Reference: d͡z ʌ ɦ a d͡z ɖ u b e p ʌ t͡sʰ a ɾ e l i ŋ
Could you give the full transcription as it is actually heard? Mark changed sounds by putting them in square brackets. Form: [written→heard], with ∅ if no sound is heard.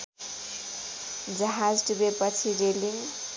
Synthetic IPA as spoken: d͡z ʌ ɦ a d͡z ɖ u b e p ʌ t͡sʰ [a→i] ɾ e l i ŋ